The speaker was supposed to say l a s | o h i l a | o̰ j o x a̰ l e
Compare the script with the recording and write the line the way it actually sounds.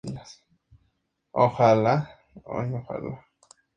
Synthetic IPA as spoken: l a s | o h a l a | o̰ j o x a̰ l a